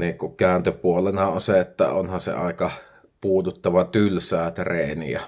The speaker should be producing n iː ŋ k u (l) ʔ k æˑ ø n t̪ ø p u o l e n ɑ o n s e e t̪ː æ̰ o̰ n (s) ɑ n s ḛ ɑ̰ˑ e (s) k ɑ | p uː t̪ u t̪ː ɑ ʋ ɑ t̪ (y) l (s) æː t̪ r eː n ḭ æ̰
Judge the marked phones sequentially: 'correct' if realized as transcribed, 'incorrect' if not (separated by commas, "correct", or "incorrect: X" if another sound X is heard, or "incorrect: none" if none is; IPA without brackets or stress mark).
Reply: incorrect: none, incorrect: h, incorrect: none, correct, correct